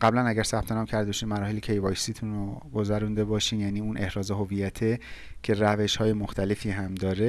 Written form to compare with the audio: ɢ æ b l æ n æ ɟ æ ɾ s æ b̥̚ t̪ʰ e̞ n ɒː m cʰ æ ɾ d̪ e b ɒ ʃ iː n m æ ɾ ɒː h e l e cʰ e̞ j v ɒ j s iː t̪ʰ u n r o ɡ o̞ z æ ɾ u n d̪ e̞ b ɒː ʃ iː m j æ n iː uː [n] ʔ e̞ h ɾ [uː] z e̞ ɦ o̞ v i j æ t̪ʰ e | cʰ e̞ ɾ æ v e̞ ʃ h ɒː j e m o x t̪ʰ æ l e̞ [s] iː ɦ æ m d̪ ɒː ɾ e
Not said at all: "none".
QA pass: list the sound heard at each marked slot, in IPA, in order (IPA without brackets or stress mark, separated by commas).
n, ɒː, f